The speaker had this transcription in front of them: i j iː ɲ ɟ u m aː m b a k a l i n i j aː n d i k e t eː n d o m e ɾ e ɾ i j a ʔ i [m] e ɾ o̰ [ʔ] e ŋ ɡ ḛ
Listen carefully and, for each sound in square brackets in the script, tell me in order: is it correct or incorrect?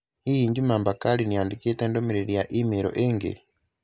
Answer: correct, correct

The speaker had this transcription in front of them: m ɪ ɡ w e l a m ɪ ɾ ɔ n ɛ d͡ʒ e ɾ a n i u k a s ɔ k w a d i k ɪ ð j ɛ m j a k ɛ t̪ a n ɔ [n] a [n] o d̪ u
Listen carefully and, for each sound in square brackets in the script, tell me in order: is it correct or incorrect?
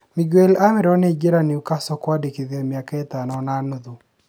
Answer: correct, correct

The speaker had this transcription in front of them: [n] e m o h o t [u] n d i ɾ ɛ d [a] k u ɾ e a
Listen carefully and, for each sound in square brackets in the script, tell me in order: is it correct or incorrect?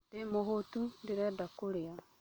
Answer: incorrect: d, correct, correct

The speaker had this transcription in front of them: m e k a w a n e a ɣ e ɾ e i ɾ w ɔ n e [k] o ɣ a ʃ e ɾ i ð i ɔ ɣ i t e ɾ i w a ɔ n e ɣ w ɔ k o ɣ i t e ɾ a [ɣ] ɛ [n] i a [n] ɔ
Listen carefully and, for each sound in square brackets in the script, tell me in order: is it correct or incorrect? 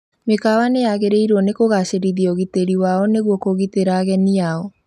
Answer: correct, correct, correct, incorrect: none

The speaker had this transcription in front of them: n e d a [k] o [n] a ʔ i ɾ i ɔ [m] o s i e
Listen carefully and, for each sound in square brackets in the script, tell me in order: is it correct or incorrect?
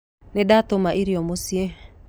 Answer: incorrect: t, incorrect: m, correct

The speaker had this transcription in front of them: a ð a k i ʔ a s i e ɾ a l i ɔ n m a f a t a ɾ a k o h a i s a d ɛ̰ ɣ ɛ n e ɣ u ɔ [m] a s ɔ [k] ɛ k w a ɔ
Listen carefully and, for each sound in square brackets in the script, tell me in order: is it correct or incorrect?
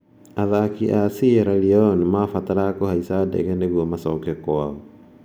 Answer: correct, correct

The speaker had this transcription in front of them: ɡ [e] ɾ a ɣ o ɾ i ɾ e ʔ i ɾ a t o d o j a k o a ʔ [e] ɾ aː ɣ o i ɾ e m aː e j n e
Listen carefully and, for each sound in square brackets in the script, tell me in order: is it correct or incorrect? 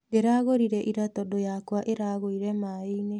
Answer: correct, correct

